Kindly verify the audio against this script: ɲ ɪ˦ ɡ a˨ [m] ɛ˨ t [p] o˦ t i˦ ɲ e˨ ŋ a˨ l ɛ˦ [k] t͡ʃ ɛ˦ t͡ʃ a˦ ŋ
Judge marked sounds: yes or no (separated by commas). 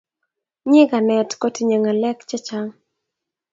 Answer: no, no, yes